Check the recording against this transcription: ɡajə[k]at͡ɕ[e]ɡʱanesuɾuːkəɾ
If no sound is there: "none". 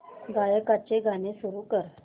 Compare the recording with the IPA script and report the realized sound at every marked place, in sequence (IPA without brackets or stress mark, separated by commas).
k, e